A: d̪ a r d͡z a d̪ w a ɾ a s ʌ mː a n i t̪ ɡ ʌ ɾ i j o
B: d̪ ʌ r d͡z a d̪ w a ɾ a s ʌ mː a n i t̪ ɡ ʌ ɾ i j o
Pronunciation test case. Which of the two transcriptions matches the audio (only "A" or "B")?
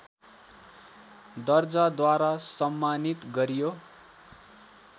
B